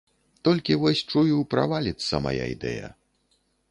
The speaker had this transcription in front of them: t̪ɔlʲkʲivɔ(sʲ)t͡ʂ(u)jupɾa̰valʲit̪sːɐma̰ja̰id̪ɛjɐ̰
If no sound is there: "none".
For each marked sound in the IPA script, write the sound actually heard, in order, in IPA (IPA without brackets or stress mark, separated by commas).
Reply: sʲ, u